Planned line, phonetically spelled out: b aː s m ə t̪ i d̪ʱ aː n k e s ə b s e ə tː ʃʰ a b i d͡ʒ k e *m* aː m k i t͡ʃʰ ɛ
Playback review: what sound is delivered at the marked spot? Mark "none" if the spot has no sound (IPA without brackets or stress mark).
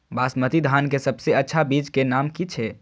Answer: n